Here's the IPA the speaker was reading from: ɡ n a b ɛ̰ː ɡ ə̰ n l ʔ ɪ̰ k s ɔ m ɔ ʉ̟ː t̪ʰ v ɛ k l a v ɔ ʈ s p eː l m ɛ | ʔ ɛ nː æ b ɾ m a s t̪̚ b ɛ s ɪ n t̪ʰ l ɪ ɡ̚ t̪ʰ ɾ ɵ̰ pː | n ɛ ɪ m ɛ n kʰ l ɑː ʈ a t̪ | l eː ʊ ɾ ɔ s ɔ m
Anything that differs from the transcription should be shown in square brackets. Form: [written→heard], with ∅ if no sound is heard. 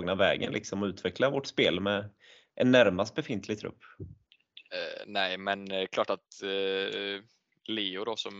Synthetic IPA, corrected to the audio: ɡ n a [b→v] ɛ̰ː ɡ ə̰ n l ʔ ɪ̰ k s ɔ m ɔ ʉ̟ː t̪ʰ v ɛ k l a v ɔ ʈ s p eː l m ɛ | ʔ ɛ nː æ [b→∅] ɾ m a s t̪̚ b ɛ [s→f] ɪ n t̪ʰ l ɪ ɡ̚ t̪ʰ ɾ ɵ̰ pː | n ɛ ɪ m ɛ n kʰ l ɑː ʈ a t̪ | l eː ʊ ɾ ɔ s ɔ m